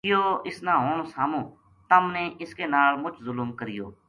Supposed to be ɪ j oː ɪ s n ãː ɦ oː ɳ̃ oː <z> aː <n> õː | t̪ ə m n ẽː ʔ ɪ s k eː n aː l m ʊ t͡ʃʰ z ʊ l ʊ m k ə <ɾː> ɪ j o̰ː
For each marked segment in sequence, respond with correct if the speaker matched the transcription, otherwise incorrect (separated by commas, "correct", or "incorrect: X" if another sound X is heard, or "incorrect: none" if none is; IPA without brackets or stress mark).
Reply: incorrect: s, incorrect: m, incorrect: ɾ